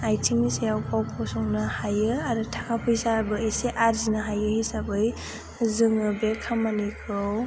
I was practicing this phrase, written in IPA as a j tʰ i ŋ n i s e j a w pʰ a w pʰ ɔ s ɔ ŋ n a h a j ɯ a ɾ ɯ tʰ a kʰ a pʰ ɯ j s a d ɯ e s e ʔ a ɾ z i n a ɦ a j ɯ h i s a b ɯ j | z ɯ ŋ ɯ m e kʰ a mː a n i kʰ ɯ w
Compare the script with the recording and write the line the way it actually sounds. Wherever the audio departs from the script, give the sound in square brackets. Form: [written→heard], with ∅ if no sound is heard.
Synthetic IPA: a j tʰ i ŋ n i s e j a w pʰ a w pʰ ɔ s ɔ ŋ n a h a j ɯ a ɾ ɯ tʰ a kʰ a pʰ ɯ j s a [d→b] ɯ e s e ʔ a ɾ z i n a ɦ a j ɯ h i s a b ɯ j | z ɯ ŋ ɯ [m→b] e kʰ a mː a n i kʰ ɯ w